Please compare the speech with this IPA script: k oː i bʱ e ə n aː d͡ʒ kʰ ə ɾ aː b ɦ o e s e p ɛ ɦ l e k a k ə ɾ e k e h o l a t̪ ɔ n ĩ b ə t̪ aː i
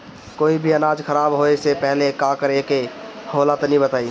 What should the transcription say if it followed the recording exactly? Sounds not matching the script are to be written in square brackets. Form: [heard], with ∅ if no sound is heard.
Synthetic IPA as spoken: k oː i bʱ [i] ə n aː d͡ʒ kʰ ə ɾ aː b ɦ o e s e p ɛ ɦ l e k a k ə ɾ e k e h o l a t̪ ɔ n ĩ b ə t̪ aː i

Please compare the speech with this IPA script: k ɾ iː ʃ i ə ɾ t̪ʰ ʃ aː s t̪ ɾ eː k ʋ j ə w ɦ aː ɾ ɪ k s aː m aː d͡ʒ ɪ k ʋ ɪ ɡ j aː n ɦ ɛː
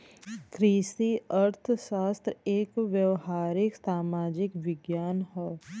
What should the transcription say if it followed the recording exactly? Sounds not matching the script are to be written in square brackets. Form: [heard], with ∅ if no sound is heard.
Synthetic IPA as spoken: k ɾ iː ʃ i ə ɾ t̪ʰ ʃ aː s t̪ ɾ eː k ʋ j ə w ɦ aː ɾ ɪ k s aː m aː d͡ʒ ɪ k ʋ ɪ ɡ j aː n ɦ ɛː

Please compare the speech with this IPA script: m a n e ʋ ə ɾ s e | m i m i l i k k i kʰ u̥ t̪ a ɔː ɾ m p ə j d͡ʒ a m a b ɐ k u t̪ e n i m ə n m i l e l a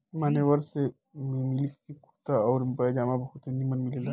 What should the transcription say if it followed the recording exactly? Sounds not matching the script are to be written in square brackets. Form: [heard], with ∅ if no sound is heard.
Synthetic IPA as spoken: m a n e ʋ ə ɾ s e | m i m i l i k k i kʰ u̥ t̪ a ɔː ɾ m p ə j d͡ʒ a m a b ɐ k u t̪ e n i m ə n m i l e l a

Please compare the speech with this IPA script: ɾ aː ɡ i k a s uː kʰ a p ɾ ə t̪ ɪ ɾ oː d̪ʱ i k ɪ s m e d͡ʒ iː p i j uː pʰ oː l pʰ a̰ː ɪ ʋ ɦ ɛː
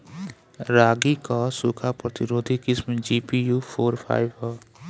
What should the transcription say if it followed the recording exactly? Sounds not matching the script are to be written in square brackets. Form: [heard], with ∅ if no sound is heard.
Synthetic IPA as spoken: ɾ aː ɡ i k a s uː kʰ a p ɾ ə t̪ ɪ ɾ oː d̪ʱ i k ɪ s m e d͡ʒ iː p i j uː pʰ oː [ɾ] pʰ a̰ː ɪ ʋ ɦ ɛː

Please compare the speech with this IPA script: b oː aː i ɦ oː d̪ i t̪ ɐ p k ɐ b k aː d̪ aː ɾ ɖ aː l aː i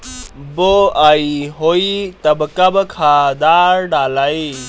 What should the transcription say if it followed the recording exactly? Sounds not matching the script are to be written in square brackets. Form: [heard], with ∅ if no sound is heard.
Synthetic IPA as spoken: b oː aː i ɦ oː [∅] i t̪ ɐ [b] k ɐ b [kʰ] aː d̪ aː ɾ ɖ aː l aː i

